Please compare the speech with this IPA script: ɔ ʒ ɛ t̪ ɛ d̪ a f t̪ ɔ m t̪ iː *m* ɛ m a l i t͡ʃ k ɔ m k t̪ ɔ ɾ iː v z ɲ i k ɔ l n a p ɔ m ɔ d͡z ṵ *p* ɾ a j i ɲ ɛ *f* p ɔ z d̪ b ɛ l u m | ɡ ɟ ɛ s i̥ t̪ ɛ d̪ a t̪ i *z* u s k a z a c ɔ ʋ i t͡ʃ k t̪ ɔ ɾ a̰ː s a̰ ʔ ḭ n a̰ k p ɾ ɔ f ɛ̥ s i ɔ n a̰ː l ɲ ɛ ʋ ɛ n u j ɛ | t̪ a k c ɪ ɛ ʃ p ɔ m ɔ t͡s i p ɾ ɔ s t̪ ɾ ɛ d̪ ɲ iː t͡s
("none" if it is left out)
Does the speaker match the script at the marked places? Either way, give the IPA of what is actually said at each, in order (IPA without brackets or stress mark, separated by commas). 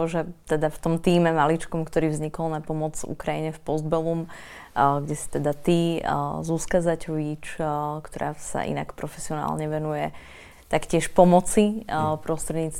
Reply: m, k, f, z